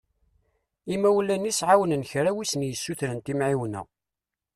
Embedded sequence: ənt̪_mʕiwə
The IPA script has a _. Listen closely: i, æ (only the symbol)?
i